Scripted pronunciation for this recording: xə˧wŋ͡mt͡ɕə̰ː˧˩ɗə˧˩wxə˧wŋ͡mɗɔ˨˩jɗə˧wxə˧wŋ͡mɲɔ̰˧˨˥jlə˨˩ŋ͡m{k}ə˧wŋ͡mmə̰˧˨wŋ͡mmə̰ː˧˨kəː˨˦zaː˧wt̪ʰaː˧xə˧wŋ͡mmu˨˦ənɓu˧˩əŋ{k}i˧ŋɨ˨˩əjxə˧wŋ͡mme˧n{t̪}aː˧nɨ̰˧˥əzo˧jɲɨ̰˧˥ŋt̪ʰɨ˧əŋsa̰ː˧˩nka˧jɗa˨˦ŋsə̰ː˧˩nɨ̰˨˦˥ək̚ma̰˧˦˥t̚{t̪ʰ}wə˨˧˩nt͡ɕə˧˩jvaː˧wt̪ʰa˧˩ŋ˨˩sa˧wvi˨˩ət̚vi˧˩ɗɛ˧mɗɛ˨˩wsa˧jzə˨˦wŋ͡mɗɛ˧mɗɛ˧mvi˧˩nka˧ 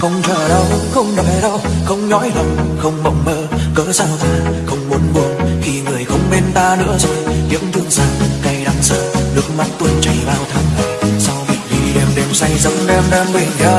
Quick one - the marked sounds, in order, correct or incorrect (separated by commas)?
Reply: incorrect, incorrect, correct, incorrect